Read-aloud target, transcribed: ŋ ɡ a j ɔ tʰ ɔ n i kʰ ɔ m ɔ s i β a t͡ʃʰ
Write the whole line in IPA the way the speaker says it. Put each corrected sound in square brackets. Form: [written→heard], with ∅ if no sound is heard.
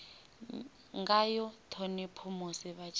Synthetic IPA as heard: ŋ ɡ a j ɔ tʰ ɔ n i [kʰ→pʰ] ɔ m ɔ s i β a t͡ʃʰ

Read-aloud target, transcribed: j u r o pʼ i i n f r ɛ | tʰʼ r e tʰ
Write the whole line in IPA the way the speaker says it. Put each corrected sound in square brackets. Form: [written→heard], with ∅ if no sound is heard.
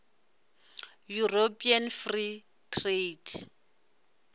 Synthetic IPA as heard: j u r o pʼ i [i→a] n f r [ɛ→i] | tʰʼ r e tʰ

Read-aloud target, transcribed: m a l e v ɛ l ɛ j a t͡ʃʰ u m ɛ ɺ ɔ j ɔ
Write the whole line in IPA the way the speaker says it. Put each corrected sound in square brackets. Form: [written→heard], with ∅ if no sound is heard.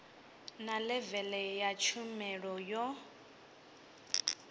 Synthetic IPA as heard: [m→n] a l [e→ɛ] v ɛ l ɛ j a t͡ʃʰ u m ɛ ɺ ɔ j ɔ

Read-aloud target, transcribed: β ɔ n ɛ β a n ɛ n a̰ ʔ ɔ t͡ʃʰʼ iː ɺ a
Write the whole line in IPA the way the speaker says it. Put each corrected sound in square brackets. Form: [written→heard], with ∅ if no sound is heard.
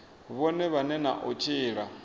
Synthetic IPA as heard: β ɔ n ɛ β a n ɛ n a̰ ʔ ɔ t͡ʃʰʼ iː ɺ a

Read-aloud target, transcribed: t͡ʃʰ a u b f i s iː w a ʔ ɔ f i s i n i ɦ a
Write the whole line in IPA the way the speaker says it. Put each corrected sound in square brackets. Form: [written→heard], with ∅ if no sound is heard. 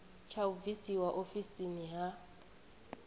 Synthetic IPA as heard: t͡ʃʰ a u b [f→v] i s [iː→i] w a ʔ [ɔ→o] f i s i n i ɦ a

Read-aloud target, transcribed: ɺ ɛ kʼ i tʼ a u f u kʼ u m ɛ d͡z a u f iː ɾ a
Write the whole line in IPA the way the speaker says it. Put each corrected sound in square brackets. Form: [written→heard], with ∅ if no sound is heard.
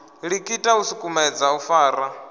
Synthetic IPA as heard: ɺ [ɛ→i] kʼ i tʼ a u [f→s] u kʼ u m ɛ d͡z a u f [iː→aː] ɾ a

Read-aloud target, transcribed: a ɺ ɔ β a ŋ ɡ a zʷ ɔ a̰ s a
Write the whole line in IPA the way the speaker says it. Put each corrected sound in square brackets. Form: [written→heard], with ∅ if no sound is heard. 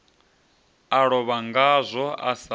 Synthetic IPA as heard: a ɺ ɔ β a ŋ ɡ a zʷ ɔ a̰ s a

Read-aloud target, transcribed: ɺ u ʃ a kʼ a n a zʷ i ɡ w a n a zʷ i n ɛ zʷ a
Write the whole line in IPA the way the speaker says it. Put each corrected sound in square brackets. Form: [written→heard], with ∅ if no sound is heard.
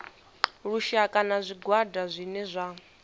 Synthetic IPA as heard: ɺ u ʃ a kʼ a n a zʷ i ɡ w a [n→d] a zʷ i n ɛ zʷ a

